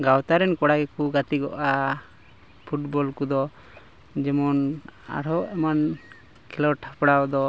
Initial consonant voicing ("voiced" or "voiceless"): voiced